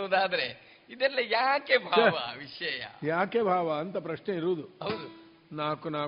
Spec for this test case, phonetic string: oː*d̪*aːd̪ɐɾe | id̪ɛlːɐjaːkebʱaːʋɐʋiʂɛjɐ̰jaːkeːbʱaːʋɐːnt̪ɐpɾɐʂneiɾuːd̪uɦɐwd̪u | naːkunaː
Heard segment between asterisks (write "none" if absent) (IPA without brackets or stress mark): d̪